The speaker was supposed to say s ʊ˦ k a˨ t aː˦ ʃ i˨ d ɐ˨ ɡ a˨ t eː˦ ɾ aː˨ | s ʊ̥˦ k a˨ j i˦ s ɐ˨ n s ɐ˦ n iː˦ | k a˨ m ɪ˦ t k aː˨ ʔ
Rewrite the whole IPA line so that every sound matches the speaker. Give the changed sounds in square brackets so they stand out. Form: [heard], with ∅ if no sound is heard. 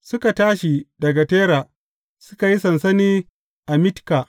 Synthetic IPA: s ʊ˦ k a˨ t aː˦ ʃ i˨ d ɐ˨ ɡ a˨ t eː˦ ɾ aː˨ | s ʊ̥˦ k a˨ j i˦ s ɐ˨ n s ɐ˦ n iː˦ | [ʔ] a˨ m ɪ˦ t k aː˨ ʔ